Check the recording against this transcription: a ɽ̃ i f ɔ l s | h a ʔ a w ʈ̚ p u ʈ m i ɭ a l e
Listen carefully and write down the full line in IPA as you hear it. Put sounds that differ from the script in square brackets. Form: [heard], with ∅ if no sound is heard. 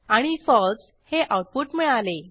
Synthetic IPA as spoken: a ɽ̃ i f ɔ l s | h [e] ʔ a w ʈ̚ p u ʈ m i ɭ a l e